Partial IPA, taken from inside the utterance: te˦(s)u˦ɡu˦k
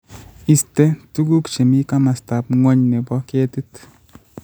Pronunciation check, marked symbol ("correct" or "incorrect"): incorrect